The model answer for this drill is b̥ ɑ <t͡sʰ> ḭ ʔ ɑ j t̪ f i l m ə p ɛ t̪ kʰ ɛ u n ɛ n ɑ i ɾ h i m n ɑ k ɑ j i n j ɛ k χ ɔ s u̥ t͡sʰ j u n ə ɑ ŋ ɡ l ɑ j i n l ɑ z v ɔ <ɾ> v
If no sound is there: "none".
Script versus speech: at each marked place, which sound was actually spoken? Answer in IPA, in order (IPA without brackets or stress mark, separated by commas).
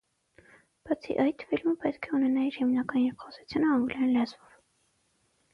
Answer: t͡sʰ, none